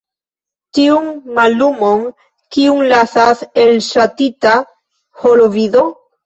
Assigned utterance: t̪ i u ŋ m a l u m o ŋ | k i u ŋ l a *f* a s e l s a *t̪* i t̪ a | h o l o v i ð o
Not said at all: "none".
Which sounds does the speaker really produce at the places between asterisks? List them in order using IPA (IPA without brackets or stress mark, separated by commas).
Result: θ, t̪